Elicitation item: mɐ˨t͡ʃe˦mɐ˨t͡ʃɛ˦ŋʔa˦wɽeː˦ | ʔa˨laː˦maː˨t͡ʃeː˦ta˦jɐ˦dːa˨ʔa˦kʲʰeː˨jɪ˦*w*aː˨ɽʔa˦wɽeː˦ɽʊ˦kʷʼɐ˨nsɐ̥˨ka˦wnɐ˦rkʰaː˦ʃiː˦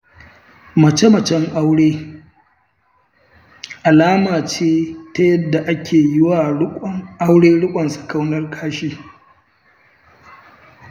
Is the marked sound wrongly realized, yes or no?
no